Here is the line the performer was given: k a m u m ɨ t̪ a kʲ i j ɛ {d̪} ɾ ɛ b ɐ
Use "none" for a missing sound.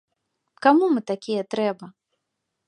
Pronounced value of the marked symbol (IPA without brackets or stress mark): t̪